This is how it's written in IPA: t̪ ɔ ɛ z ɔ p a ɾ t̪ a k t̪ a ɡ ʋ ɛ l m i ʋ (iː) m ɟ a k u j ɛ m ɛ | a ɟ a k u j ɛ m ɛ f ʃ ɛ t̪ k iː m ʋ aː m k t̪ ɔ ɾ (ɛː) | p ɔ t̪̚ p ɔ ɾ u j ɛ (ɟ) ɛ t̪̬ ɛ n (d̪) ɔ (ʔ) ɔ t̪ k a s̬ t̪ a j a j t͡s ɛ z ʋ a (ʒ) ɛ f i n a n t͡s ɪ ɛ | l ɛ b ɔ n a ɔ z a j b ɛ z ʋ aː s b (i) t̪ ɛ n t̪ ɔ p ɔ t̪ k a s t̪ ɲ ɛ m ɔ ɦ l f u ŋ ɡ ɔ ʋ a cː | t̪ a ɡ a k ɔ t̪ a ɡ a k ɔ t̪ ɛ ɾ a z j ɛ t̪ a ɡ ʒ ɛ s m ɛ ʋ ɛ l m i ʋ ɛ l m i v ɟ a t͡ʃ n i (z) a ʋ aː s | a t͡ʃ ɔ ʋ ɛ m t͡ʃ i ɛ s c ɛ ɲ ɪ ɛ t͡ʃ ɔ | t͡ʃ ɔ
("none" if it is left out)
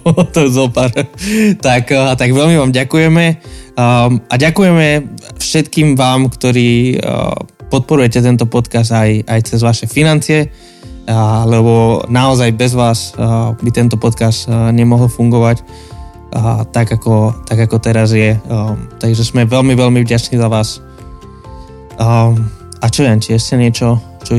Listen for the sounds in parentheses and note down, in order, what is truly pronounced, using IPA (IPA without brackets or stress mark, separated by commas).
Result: aː, iː, c, t̪, p, ʃ, i, z